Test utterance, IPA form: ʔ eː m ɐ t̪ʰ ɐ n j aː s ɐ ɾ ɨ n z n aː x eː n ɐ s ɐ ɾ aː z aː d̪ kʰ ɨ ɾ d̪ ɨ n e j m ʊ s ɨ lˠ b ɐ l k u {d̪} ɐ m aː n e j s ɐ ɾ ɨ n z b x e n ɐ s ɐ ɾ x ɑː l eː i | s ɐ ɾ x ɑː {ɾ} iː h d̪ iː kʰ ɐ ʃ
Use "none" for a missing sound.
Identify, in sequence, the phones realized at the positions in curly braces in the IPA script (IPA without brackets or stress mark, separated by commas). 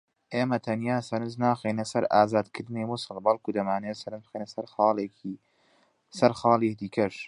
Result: d̪, l